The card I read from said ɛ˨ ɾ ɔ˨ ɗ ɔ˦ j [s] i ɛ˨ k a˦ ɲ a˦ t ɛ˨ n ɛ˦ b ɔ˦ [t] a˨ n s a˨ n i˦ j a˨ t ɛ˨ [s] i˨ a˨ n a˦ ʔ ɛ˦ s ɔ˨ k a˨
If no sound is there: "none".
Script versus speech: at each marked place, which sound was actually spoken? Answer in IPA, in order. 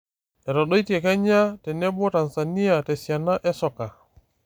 t, t, s

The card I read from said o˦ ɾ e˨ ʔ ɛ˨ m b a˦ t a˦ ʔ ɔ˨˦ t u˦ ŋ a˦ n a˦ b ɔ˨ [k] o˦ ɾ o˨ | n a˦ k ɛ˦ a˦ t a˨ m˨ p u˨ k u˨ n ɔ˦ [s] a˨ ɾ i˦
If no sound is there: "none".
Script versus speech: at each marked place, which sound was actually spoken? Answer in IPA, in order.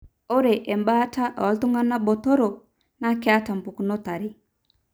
t, t

